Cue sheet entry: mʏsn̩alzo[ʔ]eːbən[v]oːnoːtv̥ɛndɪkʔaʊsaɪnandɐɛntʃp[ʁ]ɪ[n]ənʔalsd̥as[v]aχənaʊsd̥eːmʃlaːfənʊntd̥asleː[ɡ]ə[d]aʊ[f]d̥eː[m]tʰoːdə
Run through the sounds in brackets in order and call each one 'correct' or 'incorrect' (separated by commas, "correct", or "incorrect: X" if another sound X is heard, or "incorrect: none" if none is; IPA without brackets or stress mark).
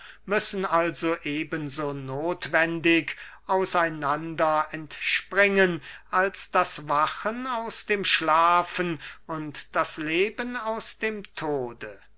correct, incorrect: z, correct, incorrect: ŋ, correct, incorrect: b, incorrect: n, incorrect: s, correct